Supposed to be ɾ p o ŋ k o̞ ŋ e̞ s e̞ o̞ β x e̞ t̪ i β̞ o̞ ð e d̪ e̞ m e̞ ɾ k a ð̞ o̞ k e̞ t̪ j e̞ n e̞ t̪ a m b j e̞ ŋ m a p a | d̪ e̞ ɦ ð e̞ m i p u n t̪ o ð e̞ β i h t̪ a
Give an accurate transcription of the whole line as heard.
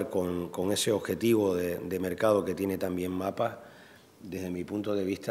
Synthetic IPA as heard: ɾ k o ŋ k o̞ ŋ e̞ s e̞ o̞ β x e̞ t̪ i β̞ o̞ ð e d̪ e̞ m e̞ ɾ k a ð̞ o̞ k e̞ t̪ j e̞ n e̞ t̪ a m b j e̞ ŋ m a p a | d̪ e̞ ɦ ð e̞ m i p u n t̪ o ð e̞ β i h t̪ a